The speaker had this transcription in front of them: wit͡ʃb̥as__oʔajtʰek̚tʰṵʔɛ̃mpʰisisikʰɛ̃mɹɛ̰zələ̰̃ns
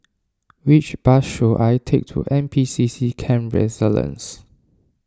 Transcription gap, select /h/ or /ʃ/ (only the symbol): ʃ